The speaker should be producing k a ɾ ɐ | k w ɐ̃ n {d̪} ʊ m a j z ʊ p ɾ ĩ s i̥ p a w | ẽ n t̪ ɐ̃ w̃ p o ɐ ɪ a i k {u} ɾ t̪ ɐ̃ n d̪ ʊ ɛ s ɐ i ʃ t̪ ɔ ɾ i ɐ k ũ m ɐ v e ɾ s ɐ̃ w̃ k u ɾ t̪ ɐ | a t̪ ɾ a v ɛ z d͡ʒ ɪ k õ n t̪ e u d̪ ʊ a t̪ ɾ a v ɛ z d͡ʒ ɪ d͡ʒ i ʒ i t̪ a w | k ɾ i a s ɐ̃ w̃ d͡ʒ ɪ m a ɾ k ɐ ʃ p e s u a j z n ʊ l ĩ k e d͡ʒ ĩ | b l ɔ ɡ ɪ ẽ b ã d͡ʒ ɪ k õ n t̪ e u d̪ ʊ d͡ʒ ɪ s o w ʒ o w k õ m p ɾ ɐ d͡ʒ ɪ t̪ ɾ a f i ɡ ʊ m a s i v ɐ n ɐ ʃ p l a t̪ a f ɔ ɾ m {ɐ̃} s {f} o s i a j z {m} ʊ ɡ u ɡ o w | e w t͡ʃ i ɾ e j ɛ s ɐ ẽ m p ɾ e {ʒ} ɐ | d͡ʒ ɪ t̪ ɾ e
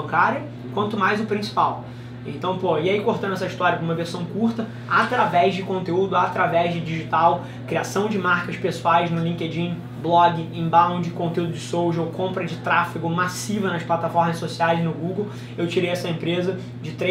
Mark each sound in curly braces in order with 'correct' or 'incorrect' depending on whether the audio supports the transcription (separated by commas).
incorrect, incorrect, incorrect, incorrect, incorrect, incorrect